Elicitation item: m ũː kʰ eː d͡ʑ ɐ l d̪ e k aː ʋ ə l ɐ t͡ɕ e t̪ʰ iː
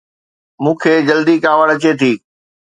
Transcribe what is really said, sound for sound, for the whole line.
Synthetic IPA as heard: m ũː kʰ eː d͡ʑ ɐ l d̪ i k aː ʋ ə ɽ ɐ t͡ɕ e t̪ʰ iː

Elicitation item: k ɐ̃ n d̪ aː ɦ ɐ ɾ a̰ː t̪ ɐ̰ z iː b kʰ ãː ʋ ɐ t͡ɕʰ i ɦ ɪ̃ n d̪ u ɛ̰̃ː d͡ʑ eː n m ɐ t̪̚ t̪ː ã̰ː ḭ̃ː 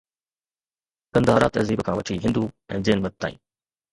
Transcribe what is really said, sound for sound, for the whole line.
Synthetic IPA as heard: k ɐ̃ n d̪ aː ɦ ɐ ɾ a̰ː t̪ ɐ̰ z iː b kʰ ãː ʋ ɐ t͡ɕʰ i ɦ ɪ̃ n d̪ u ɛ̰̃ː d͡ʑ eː n m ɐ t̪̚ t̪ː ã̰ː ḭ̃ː

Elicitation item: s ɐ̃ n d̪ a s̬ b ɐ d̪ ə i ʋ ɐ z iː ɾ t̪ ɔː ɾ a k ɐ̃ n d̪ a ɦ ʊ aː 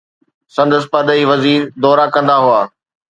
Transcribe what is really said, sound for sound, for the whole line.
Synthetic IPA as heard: s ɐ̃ n d̪ ə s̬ p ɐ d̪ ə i ʋ ɐ z iː ɾ d̪ ɔː ɾ a k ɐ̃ n d̪ a ɦ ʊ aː

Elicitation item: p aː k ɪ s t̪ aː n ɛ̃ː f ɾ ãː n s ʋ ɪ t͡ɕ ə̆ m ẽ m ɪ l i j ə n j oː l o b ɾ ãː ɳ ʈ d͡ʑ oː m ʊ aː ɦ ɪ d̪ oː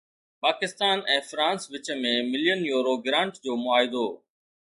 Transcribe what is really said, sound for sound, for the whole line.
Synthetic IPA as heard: p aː k ɪ s t̪ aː n ɛ̃ː f ɾ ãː n s ʋ ɪ t͡ɕ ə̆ m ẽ m ɪ l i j ə n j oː ɾ o ɡ ɾ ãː ɳ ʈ d͡ʑ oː m ʊ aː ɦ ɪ d̪ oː

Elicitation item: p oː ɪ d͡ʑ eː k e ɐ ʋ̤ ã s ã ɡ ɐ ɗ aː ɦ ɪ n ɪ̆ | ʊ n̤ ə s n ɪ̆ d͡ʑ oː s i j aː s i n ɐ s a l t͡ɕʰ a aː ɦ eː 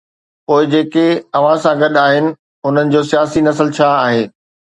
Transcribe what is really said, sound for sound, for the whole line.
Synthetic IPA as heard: p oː ɪ d͡ʑ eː k e ɐ ʋ̤ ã s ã ɡ ɐ ɗ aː ɦ ɪ n ɪ̆ | ʊ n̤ ə n ɪ̆ d͡ʑ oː s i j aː s i n ɐ s ə l t͡ɕʰ a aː ɦ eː

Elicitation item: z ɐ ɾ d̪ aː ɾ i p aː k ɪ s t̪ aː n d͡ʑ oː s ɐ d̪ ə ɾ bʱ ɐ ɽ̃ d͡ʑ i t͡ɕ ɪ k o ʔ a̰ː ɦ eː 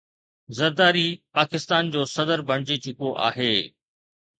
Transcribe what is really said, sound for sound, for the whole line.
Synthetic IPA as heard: z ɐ ɾ d̪ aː ɾ i p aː k ɪ s t̪ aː n d͡ʑ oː s ɐ d̪ ə ɾ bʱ ɐ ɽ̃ d͡ʑ i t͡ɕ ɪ k o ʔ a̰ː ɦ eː

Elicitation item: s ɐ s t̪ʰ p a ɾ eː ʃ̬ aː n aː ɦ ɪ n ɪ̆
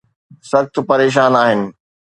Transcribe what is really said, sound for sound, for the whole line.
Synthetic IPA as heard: s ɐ x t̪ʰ p ɐ ɾ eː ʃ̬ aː n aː ɦ ɪ n ɪ̆

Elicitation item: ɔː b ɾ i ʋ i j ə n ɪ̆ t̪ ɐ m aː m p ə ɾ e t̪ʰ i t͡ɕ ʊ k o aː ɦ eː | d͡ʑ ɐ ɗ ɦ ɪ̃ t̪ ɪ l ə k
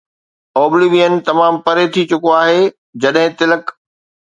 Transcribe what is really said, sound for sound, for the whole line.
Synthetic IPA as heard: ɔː b l i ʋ i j ə n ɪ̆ t̪ ɐ m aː m p ɐ ɾ e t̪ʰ i t͡ɕ ʊ k o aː ɦ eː | d͡ʑ ɐ ɗ ɦ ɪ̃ t̪ ɪ l ə k

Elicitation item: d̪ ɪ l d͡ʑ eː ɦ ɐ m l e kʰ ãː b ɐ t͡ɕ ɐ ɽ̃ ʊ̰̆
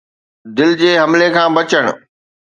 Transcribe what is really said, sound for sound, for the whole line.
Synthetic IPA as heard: d̪ ɪ l d͡ʑ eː ɦ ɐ m l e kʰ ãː b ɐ t͡ɕ ə ɽ̃ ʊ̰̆

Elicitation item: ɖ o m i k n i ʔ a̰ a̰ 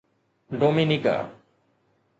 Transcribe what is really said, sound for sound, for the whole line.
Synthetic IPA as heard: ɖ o m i n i k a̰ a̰

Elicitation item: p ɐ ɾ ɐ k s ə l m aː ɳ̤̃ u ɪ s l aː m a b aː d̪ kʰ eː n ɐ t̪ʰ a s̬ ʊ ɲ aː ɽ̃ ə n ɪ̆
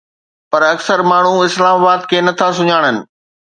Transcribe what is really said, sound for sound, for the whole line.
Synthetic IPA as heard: p ɐ ɾ ɐ k s ə ɾ m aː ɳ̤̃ u ɪ s l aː m a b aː d̪ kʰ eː n ɐ t̪ʰ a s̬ ʊ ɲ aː ɽ̃ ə n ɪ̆

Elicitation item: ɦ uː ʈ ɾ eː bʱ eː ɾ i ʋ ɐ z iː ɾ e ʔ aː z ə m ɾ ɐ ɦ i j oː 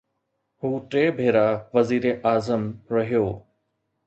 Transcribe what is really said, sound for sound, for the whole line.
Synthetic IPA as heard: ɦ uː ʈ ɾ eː bʱ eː ɾ a ʋ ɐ z iː ɾ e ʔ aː z ə m ɾ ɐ ɦ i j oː

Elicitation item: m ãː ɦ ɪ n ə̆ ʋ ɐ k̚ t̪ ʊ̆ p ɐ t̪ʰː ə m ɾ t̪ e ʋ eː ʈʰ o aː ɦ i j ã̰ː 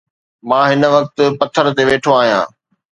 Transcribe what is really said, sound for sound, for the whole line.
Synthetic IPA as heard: m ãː ɦ ɪ n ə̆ ʋ ɐ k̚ t̪ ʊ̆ p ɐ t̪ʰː ə ɾ t̪ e ʋ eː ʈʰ o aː ɦ i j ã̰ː

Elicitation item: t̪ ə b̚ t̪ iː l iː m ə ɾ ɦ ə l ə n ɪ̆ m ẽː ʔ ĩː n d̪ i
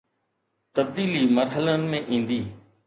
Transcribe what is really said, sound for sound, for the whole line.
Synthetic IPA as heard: t̪ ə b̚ d̪ iː l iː m ə ɾ ɦ ə l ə n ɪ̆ m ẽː ʔ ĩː n d̪ iː

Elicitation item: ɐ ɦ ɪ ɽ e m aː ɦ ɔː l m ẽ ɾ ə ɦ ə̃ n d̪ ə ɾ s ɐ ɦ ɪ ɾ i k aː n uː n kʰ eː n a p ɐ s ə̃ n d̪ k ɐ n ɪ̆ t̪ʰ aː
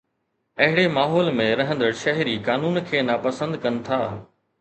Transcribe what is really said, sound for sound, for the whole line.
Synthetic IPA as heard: ɐ ɦ ɪ ɽ e m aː ɦ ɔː l m ẽ ɾ ɐ ɦ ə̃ n d̪ ə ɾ ʃ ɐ ɦ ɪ ɾ i k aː n uː n kʰ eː n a p ɐ s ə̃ n d̪ k ɐ n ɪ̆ t̪ʰ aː

